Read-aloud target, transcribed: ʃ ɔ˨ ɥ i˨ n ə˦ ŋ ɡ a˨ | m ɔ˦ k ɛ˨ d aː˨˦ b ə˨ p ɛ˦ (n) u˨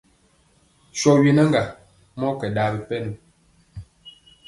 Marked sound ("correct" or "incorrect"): correct